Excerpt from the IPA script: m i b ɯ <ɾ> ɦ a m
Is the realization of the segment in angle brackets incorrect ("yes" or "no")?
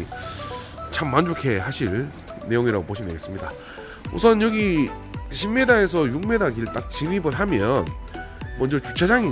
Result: yes